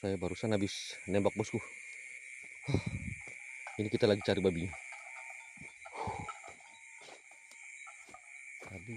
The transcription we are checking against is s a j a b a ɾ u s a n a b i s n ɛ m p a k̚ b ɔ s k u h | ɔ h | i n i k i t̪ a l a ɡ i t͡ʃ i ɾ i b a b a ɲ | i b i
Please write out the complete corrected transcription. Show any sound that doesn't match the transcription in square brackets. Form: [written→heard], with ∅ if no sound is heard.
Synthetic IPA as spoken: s a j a b a ɾ u s a n a b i s n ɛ m [p→b] a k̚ b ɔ s k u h | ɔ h | i n i k i t̪ a l a ɡ i t͡ʃ [i→a] ɾ i b a b [a→i] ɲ | [i→a] b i